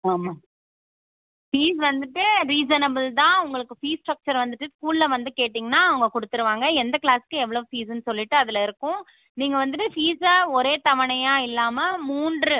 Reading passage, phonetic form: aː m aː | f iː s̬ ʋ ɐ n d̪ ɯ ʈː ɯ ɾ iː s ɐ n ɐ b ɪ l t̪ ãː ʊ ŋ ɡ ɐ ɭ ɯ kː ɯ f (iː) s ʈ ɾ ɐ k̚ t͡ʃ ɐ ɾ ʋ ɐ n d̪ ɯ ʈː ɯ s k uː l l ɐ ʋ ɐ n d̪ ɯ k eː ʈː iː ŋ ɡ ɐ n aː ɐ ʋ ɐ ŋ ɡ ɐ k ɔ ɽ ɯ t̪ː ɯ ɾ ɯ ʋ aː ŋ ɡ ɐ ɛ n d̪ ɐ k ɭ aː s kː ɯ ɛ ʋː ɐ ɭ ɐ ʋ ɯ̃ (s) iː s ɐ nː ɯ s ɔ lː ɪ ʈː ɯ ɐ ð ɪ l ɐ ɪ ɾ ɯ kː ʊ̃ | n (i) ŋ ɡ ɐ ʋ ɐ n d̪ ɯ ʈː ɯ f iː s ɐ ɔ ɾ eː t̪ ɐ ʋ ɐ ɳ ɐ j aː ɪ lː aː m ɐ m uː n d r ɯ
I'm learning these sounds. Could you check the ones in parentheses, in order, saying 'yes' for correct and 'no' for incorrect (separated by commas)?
yes, no, no